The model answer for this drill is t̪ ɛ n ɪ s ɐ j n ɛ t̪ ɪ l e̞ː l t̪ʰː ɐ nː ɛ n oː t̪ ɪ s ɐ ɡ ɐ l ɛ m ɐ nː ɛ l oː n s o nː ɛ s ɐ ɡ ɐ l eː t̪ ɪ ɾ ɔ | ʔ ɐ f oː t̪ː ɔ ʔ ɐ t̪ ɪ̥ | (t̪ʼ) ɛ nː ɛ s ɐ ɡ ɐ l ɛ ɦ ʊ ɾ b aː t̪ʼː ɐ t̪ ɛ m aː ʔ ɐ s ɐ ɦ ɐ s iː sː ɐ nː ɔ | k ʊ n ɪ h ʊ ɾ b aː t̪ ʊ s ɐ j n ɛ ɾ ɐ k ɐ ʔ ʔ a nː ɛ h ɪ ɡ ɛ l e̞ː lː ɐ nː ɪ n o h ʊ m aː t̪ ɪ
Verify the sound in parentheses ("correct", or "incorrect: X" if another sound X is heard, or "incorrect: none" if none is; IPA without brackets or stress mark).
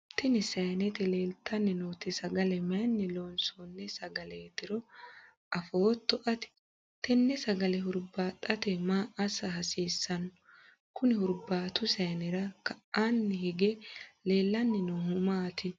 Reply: incorrect: t̪